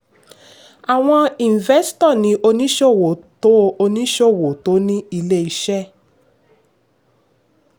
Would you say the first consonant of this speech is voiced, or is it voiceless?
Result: voiced